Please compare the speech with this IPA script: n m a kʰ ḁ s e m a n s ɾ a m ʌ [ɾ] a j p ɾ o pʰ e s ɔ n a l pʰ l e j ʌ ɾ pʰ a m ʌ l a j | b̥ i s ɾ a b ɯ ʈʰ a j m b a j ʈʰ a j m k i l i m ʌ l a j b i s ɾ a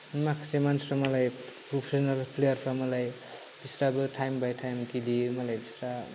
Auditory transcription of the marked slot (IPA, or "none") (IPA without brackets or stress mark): l